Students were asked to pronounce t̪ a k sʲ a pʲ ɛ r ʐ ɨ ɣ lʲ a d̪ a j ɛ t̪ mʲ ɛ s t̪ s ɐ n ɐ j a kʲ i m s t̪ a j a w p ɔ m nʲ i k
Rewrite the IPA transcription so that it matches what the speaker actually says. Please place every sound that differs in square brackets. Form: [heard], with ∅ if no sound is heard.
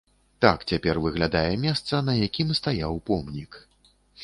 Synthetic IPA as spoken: t̪ a k [t͡sʲ] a pʲ ɛ r [v] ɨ ɣ lʲ a d̪ a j ɛ [∅] mʲ ɛ s t̪ s ɐ n ɐ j a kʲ i m s t̪ a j a w p ɔ m nʲ i k